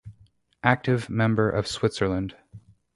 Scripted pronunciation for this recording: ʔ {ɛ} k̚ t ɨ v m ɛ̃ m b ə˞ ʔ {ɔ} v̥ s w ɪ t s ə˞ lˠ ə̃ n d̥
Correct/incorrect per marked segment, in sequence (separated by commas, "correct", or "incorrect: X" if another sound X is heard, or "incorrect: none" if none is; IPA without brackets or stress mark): incorrect: æ, incorrect: ʌ